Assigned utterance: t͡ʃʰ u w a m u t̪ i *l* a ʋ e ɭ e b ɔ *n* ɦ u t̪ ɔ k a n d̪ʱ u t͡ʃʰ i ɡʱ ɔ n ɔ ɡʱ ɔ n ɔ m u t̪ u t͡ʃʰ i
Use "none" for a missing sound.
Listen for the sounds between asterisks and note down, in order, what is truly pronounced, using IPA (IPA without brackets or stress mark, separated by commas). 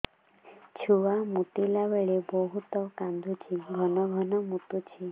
l, none